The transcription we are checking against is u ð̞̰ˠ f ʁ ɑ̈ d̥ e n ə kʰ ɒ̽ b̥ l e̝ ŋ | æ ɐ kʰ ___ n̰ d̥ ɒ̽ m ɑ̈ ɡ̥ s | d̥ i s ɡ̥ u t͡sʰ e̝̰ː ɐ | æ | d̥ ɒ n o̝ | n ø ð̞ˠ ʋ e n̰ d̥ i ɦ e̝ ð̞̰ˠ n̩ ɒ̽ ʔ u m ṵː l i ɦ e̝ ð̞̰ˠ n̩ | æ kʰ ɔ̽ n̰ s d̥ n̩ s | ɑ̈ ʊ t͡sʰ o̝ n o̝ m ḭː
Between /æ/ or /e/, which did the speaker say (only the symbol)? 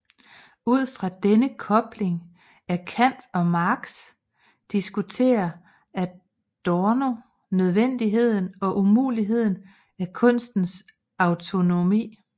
æ